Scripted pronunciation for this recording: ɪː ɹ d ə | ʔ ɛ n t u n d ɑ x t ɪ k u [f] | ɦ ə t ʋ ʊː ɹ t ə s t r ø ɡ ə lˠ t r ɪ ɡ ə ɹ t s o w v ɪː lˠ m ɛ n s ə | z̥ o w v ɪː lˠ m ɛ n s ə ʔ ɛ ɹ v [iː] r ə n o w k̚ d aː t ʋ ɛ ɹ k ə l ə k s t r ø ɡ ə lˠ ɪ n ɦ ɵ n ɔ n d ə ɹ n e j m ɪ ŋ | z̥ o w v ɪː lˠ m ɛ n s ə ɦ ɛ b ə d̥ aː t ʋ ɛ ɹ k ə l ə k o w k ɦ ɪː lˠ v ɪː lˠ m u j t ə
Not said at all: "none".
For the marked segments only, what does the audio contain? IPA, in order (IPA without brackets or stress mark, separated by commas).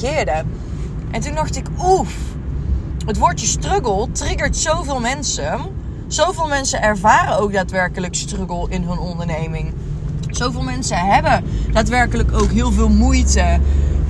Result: f, aː